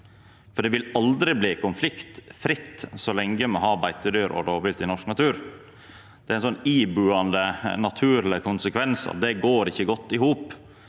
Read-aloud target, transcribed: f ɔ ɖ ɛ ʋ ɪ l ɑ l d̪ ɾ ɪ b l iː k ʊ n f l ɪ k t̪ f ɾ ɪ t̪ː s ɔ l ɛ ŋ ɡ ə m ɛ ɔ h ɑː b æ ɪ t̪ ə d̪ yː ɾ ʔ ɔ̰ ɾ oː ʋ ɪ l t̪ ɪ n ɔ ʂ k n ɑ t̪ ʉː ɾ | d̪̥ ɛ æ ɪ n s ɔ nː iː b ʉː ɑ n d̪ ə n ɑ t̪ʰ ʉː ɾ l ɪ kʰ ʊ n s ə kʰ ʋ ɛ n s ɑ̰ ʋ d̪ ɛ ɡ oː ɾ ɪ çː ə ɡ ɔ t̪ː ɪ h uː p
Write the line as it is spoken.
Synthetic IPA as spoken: f ɔ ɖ ɛ ʋ ɪ l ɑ l d̪ ɾ ɪ b l iː k ʊ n f l ɪ k t̪ f ɾ ɪ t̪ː s ɔ l ɛ ŋ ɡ ə m ɛ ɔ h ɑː b æ ɪ t̪ ə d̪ yː ɾ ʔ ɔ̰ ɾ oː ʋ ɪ l t̪ ɪ n ɔ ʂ k n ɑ t̪ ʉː ɾ | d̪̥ ɛ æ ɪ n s ɔ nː iː b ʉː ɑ n d̪ ə n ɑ t̪ʰ ʉː ɾ l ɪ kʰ ʊ n s ə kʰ ʋ ɛ n s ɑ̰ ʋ d̪ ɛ ɡ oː ɾ ɪ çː ə ɡ ɔ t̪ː ɪ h uː p